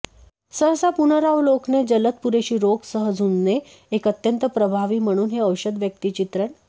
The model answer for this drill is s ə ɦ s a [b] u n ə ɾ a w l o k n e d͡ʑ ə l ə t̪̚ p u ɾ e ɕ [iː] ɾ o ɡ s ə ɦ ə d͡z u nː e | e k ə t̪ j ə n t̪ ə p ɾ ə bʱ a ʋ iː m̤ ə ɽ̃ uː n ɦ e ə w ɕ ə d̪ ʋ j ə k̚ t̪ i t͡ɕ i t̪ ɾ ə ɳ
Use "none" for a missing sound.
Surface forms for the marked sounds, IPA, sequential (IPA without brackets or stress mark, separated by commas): p, iː